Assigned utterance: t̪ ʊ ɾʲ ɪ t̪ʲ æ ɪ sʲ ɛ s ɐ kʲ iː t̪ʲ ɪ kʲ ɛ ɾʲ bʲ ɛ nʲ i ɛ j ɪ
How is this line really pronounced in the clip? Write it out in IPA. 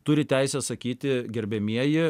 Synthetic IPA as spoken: t̪ ʊ ɾʲ ɪ t̪ʲ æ ɪ sʲ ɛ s ɐ kʲ iː t̪ʲ ɪ ɡʲ ɛ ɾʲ bʲ ɛ mʲ i ɛ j ɪ

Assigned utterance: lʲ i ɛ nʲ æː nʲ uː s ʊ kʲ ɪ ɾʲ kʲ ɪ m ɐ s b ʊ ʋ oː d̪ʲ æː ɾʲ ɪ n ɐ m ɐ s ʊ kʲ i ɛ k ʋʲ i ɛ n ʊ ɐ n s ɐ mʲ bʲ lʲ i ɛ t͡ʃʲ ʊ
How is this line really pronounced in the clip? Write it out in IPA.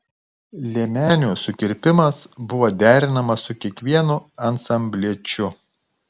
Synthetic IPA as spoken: lʲ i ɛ mʲ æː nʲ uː s ʊ kʲ ɪ ɾʲ pʲ ɪ m ɐ s b ʊ ʋ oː d̪ʲ æː ɾʲ ɪ n ɐ m ɐ s ʊ kʲ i ɛ k ʋʲ i ɛ n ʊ ɐ n s ɐ mʲ bʲ lʲ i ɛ t͡ʃʲ ʊ

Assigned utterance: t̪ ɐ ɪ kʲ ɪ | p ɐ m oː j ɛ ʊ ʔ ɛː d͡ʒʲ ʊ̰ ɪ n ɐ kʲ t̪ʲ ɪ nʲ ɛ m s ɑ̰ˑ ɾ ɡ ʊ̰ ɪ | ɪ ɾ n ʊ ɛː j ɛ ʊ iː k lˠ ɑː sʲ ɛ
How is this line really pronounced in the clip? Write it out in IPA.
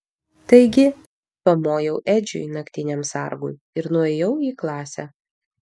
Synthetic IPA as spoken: t̪ ɐ ɪ ɡʲ ɪ | p ɐ m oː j ɛ ʊ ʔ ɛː d͡ʒʲ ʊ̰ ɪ n ɐ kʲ t̪ʲ ɪ nʲ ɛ m s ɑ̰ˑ ɾ ɡ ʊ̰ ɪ | ɪ ɾ n ʊ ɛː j ɛ ʊ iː k lˠ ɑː sʲ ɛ

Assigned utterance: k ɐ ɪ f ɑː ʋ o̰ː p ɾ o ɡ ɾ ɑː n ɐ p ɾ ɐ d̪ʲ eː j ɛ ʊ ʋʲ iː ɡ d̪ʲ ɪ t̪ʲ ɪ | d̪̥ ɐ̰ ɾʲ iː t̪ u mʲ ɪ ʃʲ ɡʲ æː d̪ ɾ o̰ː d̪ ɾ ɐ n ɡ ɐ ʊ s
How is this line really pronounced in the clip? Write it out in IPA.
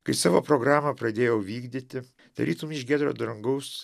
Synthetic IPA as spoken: k ɐ ɪ s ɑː ʋ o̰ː p ɾ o ɡ ɾ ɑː m ɐ p ɾ ɐ d̪ʲ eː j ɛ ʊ ʋʲ iː ɡ d̪ʲ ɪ t̪ʲ ɪ | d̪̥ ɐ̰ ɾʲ iː t̪ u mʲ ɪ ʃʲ ɡʲ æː d̪ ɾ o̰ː d̪ ɾ ɐ ŋ ɡ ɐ ʊ s

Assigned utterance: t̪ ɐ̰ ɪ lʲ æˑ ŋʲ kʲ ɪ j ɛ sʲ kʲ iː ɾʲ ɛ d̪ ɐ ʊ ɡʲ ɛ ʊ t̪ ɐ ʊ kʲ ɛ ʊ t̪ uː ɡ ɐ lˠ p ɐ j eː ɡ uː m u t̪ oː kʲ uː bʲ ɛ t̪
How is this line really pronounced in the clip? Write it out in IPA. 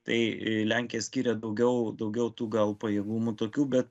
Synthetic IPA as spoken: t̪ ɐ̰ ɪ lʲ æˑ ŋʲ kʲ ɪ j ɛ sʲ kʲ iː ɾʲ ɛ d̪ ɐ ʊ ɡʲ ɛ ʊ d̪ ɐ ʊ ɡʲ ɛ ʊ t̪ uː ɡ ɐ lˠ p ɐ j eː ɡ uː m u t̪ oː kʲ uː bʲ ɛ t̪

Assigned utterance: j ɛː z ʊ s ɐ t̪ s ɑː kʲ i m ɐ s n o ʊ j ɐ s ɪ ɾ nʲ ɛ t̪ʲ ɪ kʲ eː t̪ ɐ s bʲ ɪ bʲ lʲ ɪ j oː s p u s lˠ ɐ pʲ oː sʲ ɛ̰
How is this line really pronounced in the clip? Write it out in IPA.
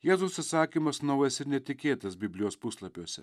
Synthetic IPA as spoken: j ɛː z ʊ s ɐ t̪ s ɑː kʲ i m ɐ s n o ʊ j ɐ s ɪ ɾ nʲ ɛ t̪ʲ ɪ kʲ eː t̪ ɐ s bʲ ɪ bʲ lʲ ɪ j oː s p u s lˠ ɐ pʲ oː sʲ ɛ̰

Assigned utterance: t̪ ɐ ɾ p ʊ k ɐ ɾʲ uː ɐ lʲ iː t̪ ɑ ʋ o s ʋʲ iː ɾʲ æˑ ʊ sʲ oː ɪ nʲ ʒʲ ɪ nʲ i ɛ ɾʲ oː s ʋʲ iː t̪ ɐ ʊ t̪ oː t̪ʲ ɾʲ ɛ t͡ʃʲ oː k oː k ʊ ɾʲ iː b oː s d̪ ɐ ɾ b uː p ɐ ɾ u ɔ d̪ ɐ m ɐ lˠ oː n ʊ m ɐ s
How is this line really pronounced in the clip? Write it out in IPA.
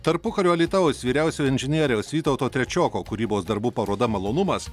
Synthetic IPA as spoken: t̪ ɐ ɾ p ʊ k ɐ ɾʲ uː ɐ lʲ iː t̪ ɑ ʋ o s ʋʲ iː ɾʲ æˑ ʊ sʲ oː ɪ nʲ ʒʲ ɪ nʲ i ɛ ɾʲ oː s ʋʲ iː t̪ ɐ ʊ t̪ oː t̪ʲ ɾʲ ɛ t͡ʃʲ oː k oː k ʊ ɾʲ iː b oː s d̪ ɐ ɾ b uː p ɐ ɾ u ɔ d̪ ɐ m ɐ lˠ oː n ʊ m ɐ s

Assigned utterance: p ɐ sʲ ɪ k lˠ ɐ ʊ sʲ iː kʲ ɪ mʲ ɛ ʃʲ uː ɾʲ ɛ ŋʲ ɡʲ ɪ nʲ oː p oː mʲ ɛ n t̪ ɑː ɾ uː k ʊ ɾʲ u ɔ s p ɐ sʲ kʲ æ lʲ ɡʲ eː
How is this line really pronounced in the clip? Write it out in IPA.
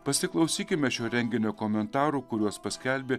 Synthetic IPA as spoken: p ɐ sʲ ɪ k lˠ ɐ ʊ sʲ iː kʲ ɪ mʲ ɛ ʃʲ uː ɾʲ ɛ ŋʲ ɡʲ ɪ nʲ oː k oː mʲ ɛ n t̪ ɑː ɾ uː k ʊ ɾʲ u ɔ s p ɐ sʲ kʲ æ lʲ bʲ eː

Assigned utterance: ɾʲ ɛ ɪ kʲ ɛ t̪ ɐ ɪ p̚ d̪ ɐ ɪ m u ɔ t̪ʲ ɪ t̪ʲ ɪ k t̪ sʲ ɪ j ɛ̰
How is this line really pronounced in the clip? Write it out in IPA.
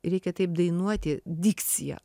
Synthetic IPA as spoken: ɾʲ ɛ ɪ kʲ ɛ t̪ ɐ ɪ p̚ d̪ ɐ ɪ n u ɔ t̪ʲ ɪ d̪ʲ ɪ k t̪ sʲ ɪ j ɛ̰

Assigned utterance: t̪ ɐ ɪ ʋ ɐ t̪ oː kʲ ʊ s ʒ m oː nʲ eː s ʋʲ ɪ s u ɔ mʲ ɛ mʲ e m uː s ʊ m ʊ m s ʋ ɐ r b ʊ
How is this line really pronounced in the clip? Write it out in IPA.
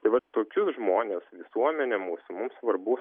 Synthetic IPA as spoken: t̪ ɐ ɪ ʋ ɐ t̪ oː kʲ ʊ s ʒ m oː nʲ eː s ʋʲ ɪ s u ɔ mʲ ɛ nʲ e m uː s ʊ m ʊ m s ʋ ɐ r b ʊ

